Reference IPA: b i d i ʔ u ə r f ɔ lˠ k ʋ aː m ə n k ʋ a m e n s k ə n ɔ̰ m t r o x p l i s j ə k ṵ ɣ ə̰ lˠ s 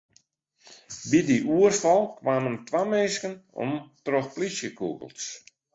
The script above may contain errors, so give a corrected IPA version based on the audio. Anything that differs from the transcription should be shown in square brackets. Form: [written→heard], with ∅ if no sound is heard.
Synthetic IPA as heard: b i d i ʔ u ə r f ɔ lˠ k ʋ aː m ə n [k→t] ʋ a m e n s k ə n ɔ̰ m t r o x p l i s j ə k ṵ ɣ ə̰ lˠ s